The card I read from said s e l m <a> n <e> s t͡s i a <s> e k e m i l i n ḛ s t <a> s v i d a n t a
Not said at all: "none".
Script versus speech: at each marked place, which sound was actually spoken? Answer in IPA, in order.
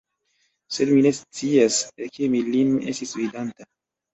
i, e, s, i

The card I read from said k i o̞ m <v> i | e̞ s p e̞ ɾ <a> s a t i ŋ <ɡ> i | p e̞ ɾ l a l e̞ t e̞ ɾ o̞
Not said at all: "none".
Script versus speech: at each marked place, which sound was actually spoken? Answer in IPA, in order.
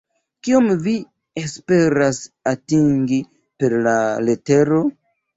v, a, ɡ

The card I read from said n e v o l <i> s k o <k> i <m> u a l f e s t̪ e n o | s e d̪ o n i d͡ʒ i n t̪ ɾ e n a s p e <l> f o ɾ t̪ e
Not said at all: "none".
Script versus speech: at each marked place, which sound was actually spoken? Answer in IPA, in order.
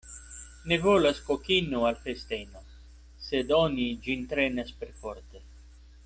a, k, n, ɾ

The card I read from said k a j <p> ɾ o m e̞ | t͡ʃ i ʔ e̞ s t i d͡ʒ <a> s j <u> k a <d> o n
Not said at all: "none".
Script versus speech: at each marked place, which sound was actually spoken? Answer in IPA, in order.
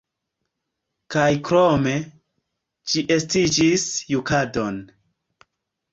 k, i, u, d

